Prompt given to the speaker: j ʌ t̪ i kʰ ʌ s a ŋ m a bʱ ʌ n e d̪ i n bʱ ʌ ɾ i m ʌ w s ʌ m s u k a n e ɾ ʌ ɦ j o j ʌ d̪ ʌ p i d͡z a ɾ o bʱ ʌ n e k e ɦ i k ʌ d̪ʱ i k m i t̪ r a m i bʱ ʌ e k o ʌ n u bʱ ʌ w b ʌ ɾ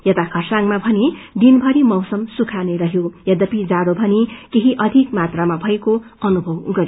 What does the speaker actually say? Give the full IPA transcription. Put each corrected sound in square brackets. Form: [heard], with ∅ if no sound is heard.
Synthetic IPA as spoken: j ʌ t̪ [a] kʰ ʌ s a ŋ m a bʱ ʌ n e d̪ i n bʱ ʌ ɾ i m ʌ w s ʌ m s u [kʰ] a n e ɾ ʌ ɦ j o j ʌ d̪ ʌ p i d͡z a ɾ o bʱ ʌ n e k e ɦ i [ʔ] ʌ d̪ʱ i k m [a] t̪ r a m [a] bʱ ʌ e k o ʌ n u bʱ ʌ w [ɡ] ʌ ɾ